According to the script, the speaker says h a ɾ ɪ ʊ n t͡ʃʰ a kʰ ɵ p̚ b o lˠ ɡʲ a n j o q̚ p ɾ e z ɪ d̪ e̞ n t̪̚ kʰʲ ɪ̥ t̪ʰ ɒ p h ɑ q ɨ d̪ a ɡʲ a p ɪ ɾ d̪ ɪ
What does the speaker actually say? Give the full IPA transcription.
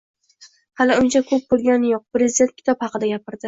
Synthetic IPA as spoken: h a l ɪ ʊ n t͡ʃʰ a kʰ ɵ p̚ b o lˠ ɡʲ a n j o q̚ p ɾ e z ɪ d̪ e̞ n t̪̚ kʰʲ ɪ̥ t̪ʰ ɒ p h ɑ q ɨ d̪ a ɡʲ a p ɪ ɾ d̪ ɪ